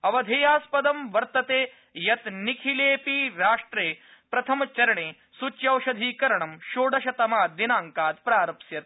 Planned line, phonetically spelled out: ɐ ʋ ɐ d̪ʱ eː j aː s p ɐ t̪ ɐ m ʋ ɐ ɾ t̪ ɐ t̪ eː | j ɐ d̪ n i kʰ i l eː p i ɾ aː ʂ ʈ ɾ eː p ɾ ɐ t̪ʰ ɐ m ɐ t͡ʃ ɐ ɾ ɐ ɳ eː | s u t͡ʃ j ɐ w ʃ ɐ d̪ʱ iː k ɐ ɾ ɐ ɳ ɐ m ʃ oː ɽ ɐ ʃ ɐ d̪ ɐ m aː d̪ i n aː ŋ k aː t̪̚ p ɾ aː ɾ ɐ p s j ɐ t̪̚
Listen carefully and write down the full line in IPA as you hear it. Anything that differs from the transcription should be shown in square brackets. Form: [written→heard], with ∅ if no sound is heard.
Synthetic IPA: ɐ ʋ ɐ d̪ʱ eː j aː s p ɐ [t̪→d̪] ɐ m ʋ ɐ ɾ t̪ ɐ t̪ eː | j ɐ [d̪→t̪] n i kʰ i l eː p i ɾ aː ʂ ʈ ɾ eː p ɾ ɐ t̪ʰ ɐ m ɐ t͡ʃ ɐ ɾ ɐ ɳ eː | s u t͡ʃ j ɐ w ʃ ɐ d̪ʱ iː k ɐ ɾ ɐ ɳ ɐ m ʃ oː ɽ ɐ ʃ ɐ [d̪→t̪] ɐ m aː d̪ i n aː ŋ k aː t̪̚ p ɾ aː ɾ ɐ p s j ɐ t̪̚